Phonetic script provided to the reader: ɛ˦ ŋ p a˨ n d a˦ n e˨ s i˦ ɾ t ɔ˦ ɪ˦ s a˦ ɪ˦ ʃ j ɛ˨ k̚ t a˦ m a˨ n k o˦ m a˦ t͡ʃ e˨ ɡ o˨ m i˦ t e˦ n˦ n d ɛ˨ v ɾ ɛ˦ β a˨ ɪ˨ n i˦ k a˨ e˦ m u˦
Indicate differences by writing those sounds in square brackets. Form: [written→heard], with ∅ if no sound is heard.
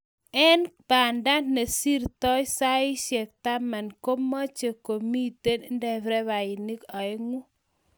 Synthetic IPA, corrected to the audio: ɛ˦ [ŋ→n] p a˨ n d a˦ n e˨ s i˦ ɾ t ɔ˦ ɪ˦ s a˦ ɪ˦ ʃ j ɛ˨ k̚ t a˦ m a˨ n k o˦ m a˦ t͡ʃ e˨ [ɡ→k] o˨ m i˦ t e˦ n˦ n d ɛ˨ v ɾ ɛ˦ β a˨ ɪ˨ n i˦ k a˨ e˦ [m→ŋ] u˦